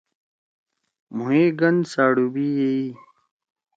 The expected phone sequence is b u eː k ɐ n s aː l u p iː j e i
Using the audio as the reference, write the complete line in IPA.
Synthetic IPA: m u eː ɡ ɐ n s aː ɽ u b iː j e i